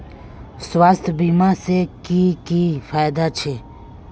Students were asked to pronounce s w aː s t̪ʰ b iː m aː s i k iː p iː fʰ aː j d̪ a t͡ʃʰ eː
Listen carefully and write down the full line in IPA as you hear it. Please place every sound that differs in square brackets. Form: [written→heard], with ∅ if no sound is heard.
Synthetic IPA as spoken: s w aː s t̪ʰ b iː m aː s [i→e] k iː [p→k] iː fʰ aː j d̪ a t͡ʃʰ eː